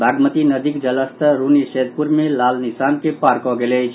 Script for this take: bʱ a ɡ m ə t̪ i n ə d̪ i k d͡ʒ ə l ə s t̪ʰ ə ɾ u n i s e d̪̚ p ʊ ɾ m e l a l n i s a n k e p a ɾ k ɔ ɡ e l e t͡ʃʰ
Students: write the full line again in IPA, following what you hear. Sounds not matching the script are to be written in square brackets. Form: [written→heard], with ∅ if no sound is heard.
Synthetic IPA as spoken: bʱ a ɡ m ə t̪ i n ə d̪ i k d͡ʒ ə l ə s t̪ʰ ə ɾ u n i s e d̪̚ p [ʊ→u] ɾ m e l a l n i s a n k e p a ɾ k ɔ ɡ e l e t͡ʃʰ